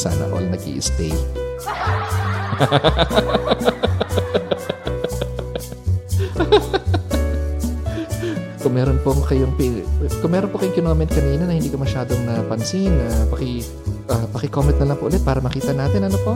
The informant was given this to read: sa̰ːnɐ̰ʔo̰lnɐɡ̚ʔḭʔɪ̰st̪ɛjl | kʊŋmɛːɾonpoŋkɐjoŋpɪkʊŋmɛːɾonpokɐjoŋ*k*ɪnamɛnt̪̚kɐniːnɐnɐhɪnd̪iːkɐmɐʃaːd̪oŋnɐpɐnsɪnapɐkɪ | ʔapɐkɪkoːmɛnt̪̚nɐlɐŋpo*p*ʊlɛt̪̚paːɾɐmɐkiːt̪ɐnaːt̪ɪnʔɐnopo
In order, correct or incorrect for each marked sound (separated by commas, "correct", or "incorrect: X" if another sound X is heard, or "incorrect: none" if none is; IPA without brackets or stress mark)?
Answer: correct, incorrect: ʔ